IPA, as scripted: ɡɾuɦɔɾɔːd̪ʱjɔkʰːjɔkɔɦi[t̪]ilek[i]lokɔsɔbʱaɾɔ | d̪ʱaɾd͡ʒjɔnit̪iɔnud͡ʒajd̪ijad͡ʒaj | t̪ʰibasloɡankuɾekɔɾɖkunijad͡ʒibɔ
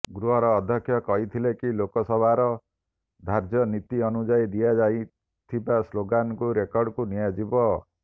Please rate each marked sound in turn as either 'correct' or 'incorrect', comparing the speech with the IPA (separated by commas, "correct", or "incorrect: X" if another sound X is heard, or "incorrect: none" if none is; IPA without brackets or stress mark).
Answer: incorrect: t̪ʰ, correct